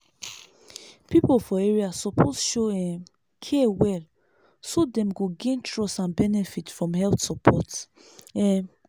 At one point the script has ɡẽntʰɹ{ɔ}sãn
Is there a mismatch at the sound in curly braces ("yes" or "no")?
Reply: no